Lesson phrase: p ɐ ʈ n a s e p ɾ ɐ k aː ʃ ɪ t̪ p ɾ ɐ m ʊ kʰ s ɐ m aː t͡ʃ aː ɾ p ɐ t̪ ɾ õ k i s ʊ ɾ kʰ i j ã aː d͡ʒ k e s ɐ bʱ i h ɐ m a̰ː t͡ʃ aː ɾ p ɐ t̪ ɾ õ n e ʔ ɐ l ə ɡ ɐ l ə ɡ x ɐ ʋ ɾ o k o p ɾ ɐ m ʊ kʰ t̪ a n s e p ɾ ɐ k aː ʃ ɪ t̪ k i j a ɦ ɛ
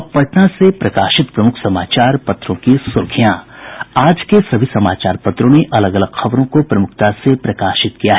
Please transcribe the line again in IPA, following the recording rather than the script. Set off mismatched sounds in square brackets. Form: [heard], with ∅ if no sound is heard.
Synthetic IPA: p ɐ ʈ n a s e p ɾ ɐ k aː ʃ ɪ t̪ p ɾ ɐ m ʊ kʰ s ɐ m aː t͡ʃ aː ɾ p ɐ t̪ ɾ õ k i s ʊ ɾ kʰ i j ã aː d͡ʒ k e s ɐ bʱ i [s] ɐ m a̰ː t͡ʃ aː ɾ p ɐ t̪ ɾ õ n e ʔ ɐ l ə ɡ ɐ l ə ɡ x ɐ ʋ ɾ [õ] k o p ɾ ɐ m ʊ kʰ t̪ a [∅] s e p ɾ ɐ k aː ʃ ɪ t̪ k i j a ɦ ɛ

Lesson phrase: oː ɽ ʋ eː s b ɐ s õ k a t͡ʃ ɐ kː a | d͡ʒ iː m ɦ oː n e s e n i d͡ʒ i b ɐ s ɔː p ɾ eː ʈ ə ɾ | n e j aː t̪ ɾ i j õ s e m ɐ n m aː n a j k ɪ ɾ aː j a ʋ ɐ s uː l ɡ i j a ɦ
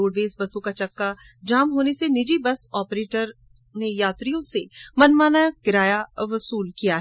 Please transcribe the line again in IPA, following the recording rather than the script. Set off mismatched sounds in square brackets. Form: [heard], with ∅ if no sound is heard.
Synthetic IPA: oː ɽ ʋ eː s b ɐ s õ k a t͡ʃ ɐ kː a | d͡ʒ [aː] m ɦ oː n e s e n [ɪ] d͡ʒ i b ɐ s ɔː p ɾ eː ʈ ə ɾ | n e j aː t̪ ɾ i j õ s e m ɐ n m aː n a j k ɪ ɾ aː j a ʋ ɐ s uː l [k] i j a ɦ

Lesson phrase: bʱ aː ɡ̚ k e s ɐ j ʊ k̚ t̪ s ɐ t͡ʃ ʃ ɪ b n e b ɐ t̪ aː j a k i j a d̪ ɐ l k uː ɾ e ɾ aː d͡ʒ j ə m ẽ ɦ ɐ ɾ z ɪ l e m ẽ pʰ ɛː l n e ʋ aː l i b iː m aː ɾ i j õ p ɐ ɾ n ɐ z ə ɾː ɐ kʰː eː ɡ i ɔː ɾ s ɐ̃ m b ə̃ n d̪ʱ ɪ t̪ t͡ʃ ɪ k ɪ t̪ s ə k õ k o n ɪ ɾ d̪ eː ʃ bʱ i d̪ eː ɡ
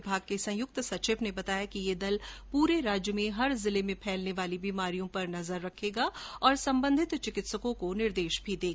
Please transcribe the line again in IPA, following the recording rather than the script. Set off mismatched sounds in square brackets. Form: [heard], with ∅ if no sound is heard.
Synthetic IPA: bʱ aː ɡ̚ k e s [ɐ̃] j ʊ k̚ t̪ s ɐ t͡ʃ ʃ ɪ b n e b ɐ t̪ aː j a k i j [e] d̪ ɐ l [p] uː ɾ e ɾ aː d͡ʒ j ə m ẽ ɦ ɐ ɾ z ɪ l e m ẽ pʰ ɛː l n e ʋ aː l i b iː m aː ɾ i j õ p ɐ ɾ n ɐ z ə ɾː ɐ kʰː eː ɡ [a] ɔː ɾ s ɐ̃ m b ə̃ n d̪ʱ ɪ t̪ t͡ʃ ɪ k ɪ t̪ s ə k õ k o n ɪ ɾ d̪ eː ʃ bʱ i d̪ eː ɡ

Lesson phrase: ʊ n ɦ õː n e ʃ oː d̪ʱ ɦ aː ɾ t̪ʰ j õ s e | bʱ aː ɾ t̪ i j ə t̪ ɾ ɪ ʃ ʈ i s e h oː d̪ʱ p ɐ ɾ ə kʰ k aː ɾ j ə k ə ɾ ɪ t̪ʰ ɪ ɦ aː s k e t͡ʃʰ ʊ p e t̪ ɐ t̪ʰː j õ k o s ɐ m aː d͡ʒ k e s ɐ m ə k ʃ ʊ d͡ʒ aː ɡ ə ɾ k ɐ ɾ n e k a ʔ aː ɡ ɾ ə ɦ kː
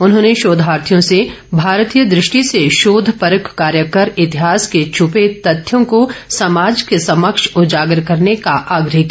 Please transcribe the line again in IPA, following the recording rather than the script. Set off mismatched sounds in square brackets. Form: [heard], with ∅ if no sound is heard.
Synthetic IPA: ʊ n ɦ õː n e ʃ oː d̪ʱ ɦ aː ɾ t̪ʰ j õ s e | bʱ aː ɾ t̪ i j ə [d̪] ɾ ɪ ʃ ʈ i s e [ʃ] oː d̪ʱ p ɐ ɾ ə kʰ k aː ɾ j ə k ə ɾ ɪ [t̪] ɪ ɦ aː s k e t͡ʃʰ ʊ p e t̪ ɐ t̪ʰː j õ k o s ɐ m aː d͡ʒ k e s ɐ m ə k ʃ ʊ d͡ʒ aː ɡ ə ɾ k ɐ ɾ n e k a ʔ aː ɡ ɾ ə ɦ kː

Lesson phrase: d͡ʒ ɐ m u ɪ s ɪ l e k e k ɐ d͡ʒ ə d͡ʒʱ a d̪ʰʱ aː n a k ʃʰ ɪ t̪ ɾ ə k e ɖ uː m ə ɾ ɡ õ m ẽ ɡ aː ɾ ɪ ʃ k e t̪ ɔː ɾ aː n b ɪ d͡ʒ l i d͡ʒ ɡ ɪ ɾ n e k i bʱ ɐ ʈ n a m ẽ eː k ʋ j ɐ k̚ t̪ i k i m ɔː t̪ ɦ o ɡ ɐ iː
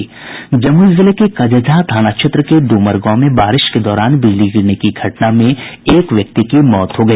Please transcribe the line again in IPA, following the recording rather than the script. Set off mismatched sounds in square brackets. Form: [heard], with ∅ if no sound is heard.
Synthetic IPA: d͡ʒ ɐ m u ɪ [z] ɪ l e k e k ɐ d͡ʒ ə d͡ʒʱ a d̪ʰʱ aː n a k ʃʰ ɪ t̪ ɾ ə k e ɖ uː m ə ɾ ɡ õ m ẽ [b] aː ɾ ɪ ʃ k e [d̪] ɔː ɾ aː n b ɪ d͡ʒ l i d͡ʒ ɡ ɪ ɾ n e k i [ɡʱ] ɐ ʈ n a m ẽ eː k ʋ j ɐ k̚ t̪ i k i m ɔː t̪ ɦ o ɡ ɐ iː

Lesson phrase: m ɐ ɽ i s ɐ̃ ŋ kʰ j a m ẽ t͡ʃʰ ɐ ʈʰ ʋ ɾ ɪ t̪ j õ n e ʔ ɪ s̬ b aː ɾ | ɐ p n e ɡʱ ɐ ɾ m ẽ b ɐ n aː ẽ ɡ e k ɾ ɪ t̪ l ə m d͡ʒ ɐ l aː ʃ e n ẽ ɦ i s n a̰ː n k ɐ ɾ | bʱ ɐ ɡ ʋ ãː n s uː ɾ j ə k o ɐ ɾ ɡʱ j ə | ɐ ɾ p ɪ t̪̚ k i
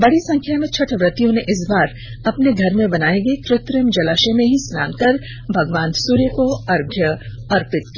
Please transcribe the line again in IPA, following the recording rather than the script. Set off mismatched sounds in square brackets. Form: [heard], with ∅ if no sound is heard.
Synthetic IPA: [b] ɐ ɽ i s ɐ̃ ŋ kʰ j a m ẽ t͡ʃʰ ɐ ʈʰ ʋ ɾ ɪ t̪ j õ n e ʔ ɪ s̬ b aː ɾ | ɐ p n e ɡʱ ɐ ɾ m ẽ b ɐ n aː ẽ ɡ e k ɾ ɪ t̪ [ɾ] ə m d͡ʒ ɐ l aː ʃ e [m] ẽ ɦ i s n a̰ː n k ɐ ɾ | bʱ ɐ ɡ ʋ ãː n s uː ɾ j ə k o ɐ ɾ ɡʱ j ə | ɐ ɾ p ɪ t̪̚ k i

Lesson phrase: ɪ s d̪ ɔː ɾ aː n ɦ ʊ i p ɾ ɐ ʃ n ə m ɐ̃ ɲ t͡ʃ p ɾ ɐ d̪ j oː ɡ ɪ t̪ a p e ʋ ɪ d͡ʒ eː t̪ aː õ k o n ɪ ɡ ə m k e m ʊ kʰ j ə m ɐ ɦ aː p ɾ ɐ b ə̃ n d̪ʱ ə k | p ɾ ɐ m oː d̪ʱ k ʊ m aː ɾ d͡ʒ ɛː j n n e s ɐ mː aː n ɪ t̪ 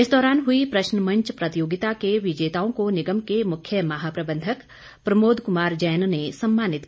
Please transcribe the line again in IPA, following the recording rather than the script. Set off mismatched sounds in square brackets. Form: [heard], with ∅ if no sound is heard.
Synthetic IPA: ɪ s d̪ ɔː ɾ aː n ɦ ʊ i p ɾ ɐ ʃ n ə m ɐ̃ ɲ t͡ʃ p ɾ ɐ [t̪] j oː ɡ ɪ t̪ a [k] e ʋ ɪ d͡ʒ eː t̪ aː õ k o n ɪ ɡ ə m k e m ʊ kʰ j ə m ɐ ɦ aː p ɾ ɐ b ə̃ n d̪ʱ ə k | p ɾ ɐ m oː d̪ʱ k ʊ m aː ɾ d͡ʒ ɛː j n n e s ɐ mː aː n ɪ t̪

